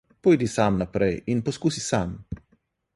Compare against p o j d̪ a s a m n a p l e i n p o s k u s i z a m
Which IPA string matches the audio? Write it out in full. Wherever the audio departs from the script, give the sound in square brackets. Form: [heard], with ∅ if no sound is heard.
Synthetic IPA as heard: p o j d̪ [i] s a m n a p [ɾ] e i n p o s k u s i [s] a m